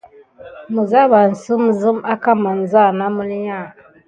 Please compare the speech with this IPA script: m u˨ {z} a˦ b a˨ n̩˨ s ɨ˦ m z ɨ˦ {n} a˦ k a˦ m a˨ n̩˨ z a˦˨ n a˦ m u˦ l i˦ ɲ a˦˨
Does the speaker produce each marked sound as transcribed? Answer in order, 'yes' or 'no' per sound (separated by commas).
yes, no